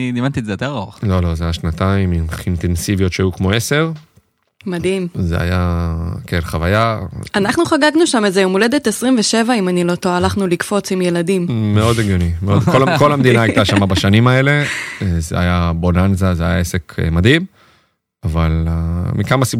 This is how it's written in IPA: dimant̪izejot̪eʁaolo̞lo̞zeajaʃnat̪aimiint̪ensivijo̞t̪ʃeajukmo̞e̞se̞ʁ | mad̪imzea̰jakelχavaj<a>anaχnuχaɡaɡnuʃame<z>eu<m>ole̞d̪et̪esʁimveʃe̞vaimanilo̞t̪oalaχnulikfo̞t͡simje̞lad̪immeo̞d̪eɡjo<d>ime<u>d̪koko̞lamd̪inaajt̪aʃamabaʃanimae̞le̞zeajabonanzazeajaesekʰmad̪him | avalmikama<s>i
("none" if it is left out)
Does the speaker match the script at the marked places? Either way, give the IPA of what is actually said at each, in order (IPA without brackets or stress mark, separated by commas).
a, z, m, n, o, s